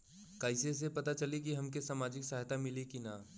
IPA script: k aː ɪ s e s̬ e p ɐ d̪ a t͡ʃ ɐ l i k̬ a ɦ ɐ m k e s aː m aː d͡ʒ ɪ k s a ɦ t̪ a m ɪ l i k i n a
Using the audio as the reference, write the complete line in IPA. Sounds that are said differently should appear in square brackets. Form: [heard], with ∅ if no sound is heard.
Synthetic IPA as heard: k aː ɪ s e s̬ e p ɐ [t̪] a t͡ʃ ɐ l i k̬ [i] ɦ ɐ m k e s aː m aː d͡ʒ ɪ k s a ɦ t̪ a m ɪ l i k i n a